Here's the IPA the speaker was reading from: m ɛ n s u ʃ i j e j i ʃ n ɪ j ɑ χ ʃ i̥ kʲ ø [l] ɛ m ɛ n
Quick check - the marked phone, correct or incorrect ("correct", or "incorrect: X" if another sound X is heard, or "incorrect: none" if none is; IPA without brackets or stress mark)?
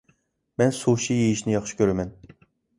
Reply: incorrect: ɾ